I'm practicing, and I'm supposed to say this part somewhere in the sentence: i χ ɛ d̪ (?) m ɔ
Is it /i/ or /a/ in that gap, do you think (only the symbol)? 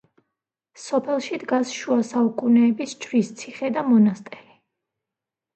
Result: a